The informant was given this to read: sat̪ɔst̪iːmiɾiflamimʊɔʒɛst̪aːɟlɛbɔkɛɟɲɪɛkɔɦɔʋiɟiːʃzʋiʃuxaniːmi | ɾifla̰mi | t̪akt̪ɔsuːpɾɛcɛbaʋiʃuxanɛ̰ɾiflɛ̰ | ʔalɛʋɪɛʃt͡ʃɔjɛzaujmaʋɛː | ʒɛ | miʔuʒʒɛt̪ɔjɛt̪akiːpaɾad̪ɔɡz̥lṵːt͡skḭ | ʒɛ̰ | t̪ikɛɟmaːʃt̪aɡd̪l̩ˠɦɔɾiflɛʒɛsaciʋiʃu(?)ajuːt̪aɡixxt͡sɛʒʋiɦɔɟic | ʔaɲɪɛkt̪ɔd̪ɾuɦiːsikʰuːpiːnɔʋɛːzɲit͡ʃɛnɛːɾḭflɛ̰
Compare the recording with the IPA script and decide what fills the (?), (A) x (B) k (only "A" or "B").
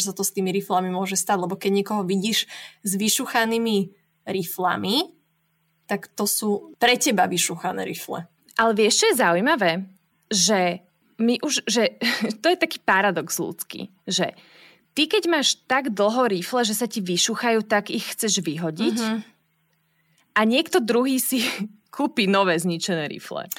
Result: A